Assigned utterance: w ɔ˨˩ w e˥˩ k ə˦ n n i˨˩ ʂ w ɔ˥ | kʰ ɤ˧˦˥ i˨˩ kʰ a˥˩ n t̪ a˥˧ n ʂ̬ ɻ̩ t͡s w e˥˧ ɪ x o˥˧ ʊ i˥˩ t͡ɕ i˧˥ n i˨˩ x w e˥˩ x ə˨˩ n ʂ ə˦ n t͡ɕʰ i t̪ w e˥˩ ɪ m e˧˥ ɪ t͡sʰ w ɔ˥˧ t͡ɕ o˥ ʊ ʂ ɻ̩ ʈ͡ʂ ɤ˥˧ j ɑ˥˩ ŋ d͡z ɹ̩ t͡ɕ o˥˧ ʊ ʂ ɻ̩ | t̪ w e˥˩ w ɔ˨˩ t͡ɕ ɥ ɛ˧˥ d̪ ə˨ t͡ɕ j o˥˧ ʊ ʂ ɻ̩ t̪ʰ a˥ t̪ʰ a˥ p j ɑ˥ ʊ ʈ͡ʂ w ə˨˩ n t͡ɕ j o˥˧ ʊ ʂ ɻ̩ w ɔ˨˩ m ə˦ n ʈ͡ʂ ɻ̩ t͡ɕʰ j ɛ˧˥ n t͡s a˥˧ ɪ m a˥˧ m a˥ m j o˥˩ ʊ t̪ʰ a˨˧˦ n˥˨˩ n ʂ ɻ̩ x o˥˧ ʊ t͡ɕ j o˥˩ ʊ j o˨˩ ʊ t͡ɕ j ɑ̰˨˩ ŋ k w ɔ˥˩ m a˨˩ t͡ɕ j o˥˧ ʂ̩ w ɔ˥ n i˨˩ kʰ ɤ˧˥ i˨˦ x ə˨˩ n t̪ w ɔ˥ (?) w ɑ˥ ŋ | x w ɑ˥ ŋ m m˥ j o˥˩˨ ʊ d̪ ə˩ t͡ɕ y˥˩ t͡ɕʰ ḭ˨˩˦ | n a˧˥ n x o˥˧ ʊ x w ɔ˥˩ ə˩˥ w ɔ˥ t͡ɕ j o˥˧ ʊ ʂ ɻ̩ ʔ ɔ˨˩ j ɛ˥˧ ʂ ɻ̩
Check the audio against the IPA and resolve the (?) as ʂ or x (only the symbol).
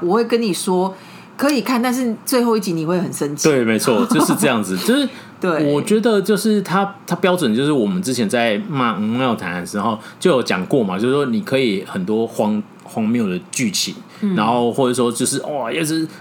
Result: x